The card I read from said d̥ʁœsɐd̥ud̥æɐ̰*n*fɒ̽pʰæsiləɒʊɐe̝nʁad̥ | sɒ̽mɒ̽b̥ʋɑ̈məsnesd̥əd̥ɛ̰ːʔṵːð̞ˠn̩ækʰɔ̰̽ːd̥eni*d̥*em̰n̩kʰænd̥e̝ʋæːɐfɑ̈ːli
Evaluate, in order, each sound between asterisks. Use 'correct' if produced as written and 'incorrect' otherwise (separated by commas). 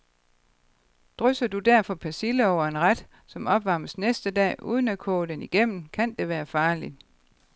incorrect, incorrect